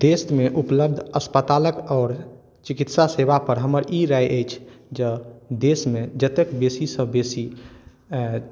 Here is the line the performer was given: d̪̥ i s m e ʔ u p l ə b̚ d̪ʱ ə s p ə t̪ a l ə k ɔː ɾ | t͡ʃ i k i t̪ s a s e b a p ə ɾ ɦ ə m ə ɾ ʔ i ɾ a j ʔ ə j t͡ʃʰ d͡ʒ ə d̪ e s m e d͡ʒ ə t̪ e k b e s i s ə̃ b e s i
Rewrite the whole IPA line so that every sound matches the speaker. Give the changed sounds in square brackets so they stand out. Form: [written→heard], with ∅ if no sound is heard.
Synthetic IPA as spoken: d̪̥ [i→e] s m e ʔ u p l ə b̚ d̪ʱ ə s p ə t̪ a l ə k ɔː ɾ | t͡ʃ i k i t̪ s a s e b a p ə ɾ ɦ ə m ə ɾ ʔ i ɾ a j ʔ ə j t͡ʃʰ d͡ʒ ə d̪ e s m e d͡ʒ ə t̪ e k b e s i s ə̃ b e s i